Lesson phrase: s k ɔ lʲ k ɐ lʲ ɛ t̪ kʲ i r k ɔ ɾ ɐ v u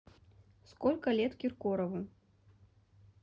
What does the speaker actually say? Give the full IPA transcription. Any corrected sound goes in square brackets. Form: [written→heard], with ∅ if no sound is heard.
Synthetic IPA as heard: s k ɔ lʲ k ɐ lʲ ɛ t̪ kʲ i r k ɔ ɾ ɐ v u